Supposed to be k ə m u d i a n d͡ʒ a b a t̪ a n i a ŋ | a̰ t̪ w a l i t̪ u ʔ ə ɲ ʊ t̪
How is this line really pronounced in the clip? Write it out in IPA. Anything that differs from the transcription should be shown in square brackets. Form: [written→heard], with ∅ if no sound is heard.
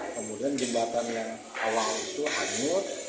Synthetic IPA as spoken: k ə m u d i a n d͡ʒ [a→ə] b a t̪ a n [i→j] a ŋ | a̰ [t̪→∅] w a l i t̪ u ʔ [ə→a] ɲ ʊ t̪